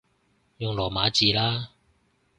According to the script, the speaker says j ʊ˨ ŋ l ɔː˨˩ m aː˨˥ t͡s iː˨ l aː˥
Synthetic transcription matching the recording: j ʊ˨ ŋ l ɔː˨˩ m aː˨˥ t͡s iː˨ l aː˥